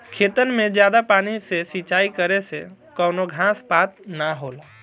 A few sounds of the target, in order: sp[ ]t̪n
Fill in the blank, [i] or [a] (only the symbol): a